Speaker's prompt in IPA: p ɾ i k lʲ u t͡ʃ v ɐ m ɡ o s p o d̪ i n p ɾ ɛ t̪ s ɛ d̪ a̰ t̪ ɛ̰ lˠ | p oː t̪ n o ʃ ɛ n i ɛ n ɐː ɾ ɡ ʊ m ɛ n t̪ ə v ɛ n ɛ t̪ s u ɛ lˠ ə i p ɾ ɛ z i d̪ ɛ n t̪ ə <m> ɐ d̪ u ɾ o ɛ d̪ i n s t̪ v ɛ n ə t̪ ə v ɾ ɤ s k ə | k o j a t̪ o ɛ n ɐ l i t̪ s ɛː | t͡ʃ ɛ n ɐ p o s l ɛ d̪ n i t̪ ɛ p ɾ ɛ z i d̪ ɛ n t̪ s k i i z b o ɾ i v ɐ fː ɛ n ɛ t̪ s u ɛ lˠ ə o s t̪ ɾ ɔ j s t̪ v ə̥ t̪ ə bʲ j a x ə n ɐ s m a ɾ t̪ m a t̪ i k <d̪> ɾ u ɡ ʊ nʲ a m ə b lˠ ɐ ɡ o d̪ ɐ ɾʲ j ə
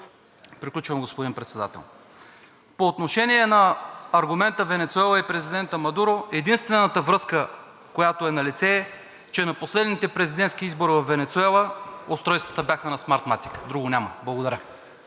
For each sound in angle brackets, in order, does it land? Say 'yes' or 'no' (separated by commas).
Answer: yes, yes